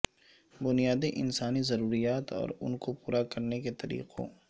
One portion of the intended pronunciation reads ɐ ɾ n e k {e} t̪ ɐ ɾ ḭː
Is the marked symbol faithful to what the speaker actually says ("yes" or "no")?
yes